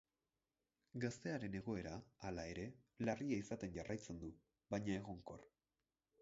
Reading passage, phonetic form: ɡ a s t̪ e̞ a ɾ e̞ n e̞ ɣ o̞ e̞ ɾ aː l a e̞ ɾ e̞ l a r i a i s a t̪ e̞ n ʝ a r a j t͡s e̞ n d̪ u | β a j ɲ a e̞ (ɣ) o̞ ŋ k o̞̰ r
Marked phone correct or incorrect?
correct